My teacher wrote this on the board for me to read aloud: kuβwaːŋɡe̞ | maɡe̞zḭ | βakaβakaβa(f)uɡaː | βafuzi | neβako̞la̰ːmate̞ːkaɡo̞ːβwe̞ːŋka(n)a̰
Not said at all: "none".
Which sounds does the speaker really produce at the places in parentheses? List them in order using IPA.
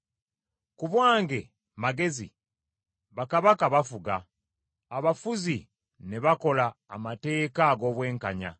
f, ɲ

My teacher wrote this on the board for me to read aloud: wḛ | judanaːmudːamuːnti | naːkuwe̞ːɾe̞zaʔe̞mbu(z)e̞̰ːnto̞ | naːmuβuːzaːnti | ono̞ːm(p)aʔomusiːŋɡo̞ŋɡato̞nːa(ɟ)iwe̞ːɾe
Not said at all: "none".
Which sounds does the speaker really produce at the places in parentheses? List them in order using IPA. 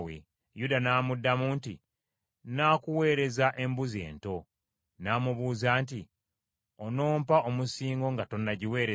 z, p, ɟ

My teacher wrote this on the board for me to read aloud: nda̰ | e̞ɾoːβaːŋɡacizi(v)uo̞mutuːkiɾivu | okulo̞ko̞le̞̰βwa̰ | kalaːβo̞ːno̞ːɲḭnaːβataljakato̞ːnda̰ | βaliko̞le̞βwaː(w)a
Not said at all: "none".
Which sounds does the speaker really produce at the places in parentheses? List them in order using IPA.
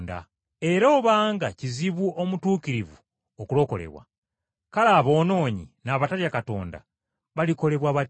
β, β

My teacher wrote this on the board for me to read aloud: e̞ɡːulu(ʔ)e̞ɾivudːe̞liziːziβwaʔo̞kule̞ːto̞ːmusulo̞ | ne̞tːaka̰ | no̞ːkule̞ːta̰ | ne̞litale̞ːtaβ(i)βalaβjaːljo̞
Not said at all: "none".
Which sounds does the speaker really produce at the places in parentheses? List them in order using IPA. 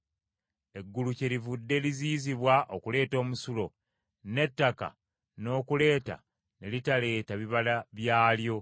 c, i

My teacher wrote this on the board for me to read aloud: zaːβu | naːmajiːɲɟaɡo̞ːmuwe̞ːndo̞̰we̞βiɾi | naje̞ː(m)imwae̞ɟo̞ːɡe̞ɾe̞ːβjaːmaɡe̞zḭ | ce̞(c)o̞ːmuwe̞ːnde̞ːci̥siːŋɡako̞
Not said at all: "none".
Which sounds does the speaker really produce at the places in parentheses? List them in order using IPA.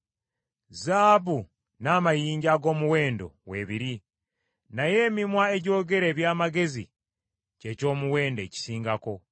m, c

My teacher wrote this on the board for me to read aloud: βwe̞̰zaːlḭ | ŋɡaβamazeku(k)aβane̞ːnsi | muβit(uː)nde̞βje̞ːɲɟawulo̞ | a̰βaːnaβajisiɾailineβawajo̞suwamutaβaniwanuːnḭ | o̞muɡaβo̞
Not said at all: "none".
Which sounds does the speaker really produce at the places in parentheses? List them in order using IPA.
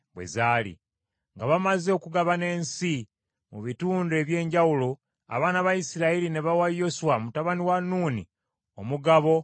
ɡ, uː

